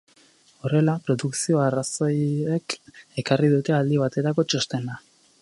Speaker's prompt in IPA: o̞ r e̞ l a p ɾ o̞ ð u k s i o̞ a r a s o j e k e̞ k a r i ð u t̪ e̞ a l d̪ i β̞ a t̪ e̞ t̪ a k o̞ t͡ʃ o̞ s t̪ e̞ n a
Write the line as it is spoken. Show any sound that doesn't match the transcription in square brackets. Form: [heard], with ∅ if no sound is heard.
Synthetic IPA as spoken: o̞ r e̞ l a p ɾ o̞ ð u k s i o̞ a r a s o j e k e̞ k a r i ð u t̪ e̞ a l d̪ i β̞ a t̪ e̞ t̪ a k o̞ t͡ʃ o̞ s t̪ e̞ n a